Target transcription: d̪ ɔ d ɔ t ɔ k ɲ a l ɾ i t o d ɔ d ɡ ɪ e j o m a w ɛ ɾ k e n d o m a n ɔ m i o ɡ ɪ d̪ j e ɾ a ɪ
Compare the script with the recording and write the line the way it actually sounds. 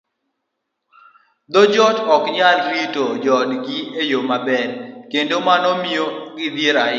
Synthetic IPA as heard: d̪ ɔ d͡ʒ ɔ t ɔ k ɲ a l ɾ i t o d͡ʒ ɔ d ɡ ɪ e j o m a b ɛ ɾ k e n d o m a n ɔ m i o ɡ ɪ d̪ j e ɾ a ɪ